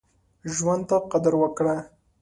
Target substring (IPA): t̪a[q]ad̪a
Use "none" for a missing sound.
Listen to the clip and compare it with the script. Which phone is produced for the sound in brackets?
q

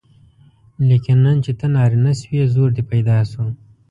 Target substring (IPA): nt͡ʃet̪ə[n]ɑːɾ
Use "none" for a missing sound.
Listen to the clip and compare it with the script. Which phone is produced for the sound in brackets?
n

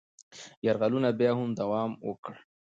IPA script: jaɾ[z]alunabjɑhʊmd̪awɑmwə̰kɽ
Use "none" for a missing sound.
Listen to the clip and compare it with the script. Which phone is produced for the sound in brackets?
ɣ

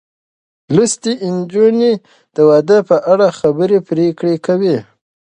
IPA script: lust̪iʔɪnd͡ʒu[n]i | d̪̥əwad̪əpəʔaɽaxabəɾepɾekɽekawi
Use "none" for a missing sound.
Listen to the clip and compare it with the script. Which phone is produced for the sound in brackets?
n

